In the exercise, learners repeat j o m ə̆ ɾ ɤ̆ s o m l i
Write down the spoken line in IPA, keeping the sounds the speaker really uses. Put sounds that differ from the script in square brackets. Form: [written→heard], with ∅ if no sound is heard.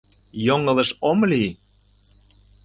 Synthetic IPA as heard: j o [m→ŋ] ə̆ [ɾ→l] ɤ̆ [s→ʃ] o m l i